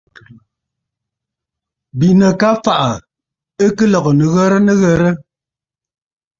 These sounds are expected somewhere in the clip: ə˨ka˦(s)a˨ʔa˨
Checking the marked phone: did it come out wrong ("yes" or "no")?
yes